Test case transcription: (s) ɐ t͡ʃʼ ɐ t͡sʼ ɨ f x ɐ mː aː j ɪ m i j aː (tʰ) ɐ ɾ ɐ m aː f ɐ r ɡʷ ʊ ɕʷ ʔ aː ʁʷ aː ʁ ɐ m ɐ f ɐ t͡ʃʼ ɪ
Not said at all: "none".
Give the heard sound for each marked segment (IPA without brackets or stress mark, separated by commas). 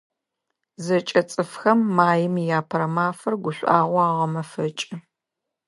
z, pʰ